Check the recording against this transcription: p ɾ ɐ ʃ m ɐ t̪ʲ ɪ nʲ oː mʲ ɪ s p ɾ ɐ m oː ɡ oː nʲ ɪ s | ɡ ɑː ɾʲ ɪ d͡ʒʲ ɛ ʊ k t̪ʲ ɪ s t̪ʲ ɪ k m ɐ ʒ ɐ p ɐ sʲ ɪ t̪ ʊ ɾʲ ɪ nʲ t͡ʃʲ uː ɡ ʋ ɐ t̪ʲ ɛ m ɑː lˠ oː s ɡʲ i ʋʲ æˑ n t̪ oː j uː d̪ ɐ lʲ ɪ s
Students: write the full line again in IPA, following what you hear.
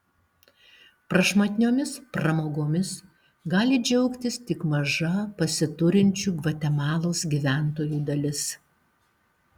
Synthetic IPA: p ɾ ɐ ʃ m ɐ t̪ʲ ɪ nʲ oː mʲ ɪ s p ɾ ɐ m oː ɡ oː mʲ ɪ s | ɡ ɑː lʲ ɪ d͡ʒʲ ɛ ʊ k t̪ʲ ɪ s t̪ʲ ɪ k m ɐ ʒ ɐ p ɐ sʲ ɪ t̪ ʊ ɾʲ ɪ nʲ t͡ʃʲ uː ɡ ʋ ɐ t̪ʲ ɛ m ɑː lˠ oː s ɡʲ i ʋʲ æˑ n t̪ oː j uː d̪ ɐ lʲ ɪ s

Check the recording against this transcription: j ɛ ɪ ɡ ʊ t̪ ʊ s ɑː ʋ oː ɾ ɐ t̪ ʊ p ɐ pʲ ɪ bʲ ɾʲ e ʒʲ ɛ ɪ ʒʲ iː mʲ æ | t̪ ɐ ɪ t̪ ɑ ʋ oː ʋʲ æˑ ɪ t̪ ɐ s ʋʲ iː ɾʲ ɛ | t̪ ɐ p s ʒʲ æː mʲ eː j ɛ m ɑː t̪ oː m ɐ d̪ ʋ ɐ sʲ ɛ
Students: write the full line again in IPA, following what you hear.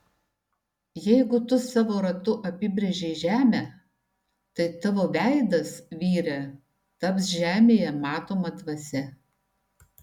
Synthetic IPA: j ɛ ɪ ɡ ʊ t̪ ʊ s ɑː ʋ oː ɾ ɐ t̪ ʊ ʔ ɐ pʲ ɪ bʲ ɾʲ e ʒʲ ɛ ɪ ʒʲ æː mʲ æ | t̪ ɐ ɪ t̪ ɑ ʋ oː ʋʲ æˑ ɪ d̪ ɐ s ʋʲ iː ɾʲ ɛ | t̪ ɐ p s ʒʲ æː mʲ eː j ɛ m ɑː t̪ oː m ɐ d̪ ʋ ɐ sʲ ɛ

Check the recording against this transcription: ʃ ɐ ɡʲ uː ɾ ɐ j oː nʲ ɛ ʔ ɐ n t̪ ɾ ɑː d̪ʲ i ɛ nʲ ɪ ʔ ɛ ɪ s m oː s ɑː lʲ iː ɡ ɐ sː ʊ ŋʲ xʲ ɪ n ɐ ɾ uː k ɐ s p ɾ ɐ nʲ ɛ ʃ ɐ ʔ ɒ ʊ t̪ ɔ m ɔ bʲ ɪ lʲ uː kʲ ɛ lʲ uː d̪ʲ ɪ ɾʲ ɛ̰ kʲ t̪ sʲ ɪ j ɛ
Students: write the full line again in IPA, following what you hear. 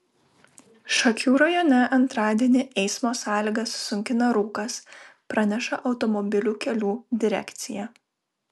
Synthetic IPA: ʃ ɐ kʲ uː ɾ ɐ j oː nʲ ɛ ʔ ɐ n t̪ ɾ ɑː d̪ʲ i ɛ nʲ ɪ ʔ ɛ ɪ s m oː s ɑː lʲ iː ɡ ɐ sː ʊ ŋʲ kʲ ɪ n ɐ ɾ uː k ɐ s p ɾ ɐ nʲ ɛ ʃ ɐ ʔ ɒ ʊ t̪ ɔ m ɔ bʲ ɪ lʲ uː kʲ ɛ lʲ uː d̪ʲ ɪ ɾʲ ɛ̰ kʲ t̪ sʲ ɪ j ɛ

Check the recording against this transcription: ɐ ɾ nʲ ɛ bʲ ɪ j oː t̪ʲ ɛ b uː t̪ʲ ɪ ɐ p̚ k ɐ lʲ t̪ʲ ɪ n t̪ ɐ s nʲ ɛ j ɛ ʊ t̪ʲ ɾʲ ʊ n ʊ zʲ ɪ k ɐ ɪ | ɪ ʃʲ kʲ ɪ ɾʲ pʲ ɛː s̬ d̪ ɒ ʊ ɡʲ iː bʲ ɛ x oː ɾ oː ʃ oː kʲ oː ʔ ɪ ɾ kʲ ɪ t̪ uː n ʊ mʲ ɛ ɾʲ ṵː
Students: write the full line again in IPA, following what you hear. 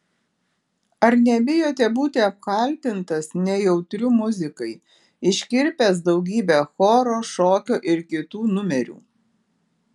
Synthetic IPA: ɐ ɾ nʲ ɛ bʲ ɪ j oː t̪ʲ ɛ b uː t̪ʲ ɪ ɐ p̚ k ɐ lʲ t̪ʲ ɪ n t̪ ɐ s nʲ ɛ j ɛ ʊ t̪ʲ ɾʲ ʊ m ʊ zʲ ɪ k ɐ ɪ | ɪ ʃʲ kʲ ɪ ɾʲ pʲ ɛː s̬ d̪ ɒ ʊ ɡʲ iː bʲ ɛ x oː ɾ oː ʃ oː kʲ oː ʔ ɪ ɾ kʲ ɪ t̪ uː n ʊ mʲ ɛ ɾʲ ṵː

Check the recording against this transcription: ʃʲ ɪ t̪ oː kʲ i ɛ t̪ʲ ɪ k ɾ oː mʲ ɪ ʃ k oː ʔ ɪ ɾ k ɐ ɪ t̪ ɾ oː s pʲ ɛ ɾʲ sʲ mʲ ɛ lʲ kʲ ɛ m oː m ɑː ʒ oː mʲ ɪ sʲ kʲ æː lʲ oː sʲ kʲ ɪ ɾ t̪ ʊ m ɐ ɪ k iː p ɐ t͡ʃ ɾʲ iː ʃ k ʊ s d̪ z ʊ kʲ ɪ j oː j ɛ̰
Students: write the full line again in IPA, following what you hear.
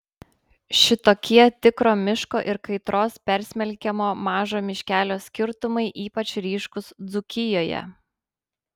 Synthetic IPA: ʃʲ ɪ t̪ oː kʲ i ɛ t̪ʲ ɪ k ɾ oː mʲ ɪ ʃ k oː ʔ ɪ ɾ k ɐ ɪ t̪ ɾ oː s pʲ ɛ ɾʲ sʲ mʲ ɛ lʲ kʲ ɛ m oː m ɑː ʒ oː mʲ ɪ ʃʲ kʲ æː lʲ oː sʲ kʲ ɪ ɾ t̪ ʊ m ɐ ɪ ʔ iː p ɐ t͡ʃ ɾʲ iː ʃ k ʊ s d̪ z ʊ kʲ ɪ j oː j ɛ̰

